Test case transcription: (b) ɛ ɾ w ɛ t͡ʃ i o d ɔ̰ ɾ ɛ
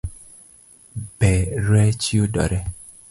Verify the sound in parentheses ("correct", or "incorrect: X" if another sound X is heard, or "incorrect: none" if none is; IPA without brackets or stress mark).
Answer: correct